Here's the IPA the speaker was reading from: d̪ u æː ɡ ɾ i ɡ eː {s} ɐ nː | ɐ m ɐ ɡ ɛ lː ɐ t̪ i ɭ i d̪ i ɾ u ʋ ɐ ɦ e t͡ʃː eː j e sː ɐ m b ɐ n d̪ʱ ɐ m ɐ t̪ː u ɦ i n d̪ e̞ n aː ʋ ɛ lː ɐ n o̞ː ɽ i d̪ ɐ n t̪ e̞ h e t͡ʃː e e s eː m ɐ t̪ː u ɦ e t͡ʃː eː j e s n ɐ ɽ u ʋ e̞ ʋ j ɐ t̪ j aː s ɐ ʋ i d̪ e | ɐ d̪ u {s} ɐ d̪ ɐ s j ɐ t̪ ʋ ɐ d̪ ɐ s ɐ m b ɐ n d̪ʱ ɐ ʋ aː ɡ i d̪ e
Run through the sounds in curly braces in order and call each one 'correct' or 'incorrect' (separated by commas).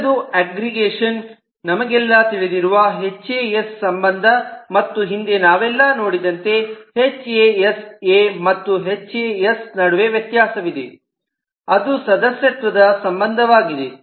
incorrect, correct